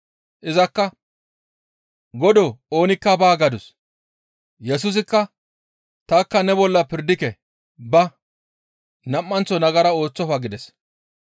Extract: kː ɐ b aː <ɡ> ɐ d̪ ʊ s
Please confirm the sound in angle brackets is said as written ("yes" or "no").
yes